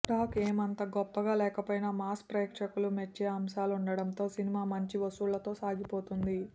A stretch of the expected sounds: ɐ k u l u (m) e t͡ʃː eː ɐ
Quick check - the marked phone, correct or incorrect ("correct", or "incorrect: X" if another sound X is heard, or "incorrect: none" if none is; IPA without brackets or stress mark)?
correct